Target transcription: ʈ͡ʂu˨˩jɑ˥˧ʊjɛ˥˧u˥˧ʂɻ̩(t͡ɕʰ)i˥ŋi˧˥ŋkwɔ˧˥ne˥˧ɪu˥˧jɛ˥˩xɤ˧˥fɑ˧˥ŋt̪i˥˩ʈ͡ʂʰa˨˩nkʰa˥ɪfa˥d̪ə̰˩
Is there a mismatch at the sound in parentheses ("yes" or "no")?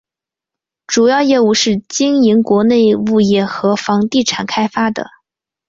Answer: yes